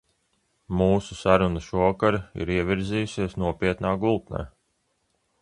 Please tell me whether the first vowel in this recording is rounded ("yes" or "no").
yes